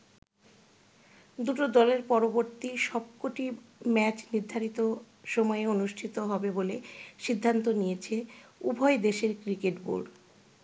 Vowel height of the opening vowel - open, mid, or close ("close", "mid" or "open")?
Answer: close